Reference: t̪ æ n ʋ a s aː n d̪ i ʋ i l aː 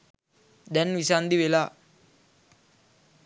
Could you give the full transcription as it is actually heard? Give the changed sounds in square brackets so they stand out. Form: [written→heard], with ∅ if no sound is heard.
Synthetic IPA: [t̪→d̪] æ n ʋ [a→i] s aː n d̪ i ʋ [i→e] l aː